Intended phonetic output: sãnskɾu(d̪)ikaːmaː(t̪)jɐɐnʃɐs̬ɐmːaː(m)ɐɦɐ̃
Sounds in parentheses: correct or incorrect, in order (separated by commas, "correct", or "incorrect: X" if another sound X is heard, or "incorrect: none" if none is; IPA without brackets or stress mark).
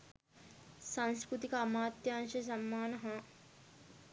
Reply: incorrect: t̪, correct, incorrect: n